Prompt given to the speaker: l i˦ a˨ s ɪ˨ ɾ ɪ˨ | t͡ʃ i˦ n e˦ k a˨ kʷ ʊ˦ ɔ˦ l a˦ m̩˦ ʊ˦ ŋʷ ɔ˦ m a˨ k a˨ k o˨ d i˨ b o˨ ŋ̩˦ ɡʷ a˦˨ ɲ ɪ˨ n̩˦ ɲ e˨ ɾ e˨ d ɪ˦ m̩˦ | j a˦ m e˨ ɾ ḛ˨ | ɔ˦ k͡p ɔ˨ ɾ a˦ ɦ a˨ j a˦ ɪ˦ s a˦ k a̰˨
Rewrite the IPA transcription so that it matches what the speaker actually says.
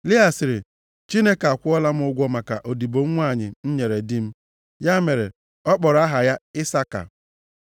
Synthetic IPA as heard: l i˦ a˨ s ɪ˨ ɾ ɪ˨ | t͡ʃ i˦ n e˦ k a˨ kʷ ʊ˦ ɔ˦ l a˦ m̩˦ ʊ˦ ɡʷ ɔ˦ m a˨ k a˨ ʔ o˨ d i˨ b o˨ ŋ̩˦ ŋʷ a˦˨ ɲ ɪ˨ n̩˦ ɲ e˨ ɾ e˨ d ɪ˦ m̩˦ | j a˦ m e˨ ɾ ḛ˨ | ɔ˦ k͡p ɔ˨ ɾ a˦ ɦ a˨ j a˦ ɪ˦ s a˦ k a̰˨

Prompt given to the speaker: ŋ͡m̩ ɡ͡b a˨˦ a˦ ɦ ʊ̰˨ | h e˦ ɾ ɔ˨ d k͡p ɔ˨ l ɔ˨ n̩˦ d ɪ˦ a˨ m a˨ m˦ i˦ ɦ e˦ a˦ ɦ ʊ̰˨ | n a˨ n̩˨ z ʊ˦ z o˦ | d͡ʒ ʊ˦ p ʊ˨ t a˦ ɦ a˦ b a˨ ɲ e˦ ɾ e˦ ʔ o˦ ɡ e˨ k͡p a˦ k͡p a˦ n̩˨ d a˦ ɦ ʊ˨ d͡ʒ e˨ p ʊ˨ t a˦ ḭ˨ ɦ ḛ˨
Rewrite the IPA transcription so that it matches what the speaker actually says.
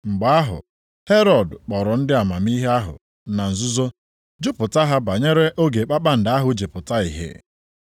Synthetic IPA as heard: ŋ͡m̩ ɡ͡b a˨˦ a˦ ɦ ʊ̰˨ | h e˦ ɾ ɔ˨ d k͡p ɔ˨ ɾ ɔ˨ n̩˦ d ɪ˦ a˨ m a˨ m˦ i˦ ɦ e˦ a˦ ɦ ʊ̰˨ | n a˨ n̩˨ z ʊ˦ z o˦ | d͡ʒ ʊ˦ p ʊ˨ t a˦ ɦ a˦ b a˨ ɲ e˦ ɾ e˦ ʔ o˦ ɡ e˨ k͡p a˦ k͡p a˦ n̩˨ d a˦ ɦ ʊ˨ d͡ʒ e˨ p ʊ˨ t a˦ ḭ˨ ɦ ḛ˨

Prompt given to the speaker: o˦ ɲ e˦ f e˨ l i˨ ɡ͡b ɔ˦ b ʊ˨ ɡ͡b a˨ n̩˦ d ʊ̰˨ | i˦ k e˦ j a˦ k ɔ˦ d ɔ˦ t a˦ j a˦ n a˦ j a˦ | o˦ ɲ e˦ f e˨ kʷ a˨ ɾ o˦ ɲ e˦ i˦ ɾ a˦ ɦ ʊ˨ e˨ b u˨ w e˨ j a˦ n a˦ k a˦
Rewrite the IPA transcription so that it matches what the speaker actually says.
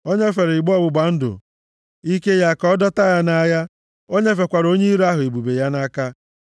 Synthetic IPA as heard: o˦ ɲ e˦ f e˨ ɾ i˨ ɡ͡b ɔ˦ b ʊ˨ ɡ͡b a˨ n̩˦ d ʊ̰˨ | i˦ k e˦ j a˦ k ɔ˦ d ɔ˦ t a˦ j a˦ n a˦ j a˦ | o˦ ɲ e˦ f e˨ kʷ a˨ ɾ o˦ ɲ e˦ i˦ ɾ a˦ ɦ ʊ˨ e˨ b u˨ b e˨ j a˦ n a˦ k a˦

